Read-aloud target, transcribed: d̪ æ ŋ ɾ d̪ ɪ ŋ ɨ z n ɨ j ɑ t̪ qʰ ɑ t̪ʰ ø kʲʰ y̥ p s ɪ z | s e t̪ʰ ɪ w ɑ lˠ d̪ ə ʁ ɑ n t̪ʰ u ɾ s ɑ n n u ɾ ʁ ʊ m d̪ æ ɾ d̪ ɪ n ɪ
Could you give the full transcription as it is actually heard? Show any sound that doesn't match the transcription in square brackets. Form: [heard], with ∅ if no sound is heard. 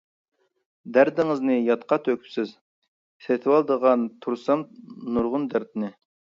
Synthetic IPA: d̪ æ [∅] ɾ d̪ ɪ ŋ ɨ z n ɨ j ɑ t̪ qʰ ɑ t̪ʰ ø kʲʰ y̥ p s ɪ z | s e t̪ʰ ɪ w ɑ lˠ d̪ ə ʁ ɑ n t̪ʰ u ɾ s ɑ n n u ɾ ʁ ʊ [n] d̪ æ ɾ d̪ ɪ n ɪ